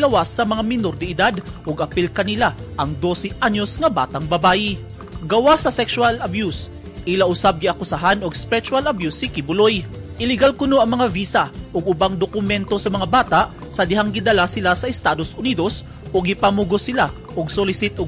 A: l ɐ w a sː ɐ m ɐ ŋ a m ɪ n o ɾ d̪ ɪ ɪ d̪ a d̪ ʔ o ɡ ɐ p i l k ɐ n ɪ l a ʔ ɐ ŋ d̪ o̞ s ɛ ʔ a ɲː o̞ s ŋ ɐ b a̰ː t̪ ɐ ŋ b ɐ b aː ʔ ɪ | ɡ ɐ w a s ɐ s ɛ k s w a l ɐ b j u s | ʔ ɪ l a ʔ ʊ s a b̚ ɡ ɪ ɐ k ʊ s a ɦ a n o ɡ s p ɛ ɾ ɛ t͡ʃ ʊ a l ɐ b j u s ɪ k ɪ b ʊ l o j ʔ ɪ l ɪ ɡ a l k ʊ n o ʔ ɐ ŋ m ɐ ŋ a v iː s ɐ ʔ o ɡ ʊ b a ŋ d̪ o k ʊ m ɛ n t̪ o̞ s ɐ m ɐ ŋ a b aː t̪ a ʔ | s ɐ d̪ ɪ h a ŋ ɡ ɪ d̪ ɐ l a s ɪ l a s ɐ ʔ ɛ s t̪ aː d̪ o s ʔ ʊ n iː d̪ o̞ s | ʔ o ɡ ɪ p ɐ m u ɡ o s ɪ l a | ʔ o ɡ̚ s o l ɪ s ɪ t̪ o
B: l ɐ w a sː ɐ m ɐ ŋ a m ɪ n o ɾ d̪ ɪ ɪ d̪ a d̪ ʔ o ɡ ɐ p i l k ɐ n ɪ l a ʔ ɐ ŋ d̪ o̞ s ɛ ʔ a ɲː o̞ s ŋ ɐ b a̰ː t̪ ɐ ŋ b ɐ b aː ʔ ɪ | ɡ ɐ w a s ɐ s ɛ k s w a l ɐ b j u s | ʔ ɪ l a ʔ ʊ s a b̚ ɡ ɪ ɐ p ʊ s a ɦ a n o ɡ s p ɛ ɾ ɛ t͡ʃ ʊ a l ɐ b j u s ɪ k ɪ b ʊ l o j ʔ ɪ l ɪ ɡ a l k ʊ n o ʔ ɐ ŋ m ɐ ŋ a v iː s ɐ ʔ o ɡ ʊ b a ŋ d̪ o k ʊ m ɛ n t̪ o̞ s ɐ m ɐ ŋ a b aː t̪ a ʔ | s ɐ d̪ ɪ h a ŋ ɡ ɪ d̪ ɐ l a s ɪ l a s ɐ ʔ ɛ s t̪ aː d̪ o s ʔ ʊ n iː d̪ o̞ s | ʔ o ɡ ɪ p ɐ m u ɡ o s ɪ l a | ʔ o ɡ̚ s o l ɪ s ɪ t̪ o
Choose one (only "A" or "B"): A